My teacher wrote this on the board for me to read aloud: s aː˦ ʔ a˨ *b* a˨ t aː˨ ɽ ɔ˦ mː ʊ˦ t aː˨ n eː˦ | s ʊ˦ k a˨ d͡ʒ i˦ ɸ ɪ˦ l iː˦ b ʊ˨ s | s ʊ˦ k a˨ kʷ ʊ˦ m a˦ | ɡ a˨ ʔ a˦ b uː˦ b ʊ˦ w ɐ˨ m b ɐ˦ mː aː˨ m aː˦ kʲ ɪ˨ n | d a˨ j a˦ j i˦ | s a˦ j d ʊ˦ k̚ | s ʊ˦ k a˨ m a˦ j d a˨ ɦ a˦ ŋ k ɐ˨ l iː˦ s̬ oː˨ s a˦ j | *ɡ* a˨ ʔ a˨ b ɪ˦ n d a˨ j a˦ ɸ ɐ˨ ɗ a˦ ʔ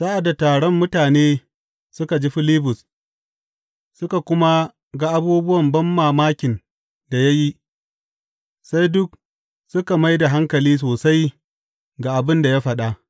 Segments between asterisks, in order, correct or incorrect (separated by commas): incorrect, correct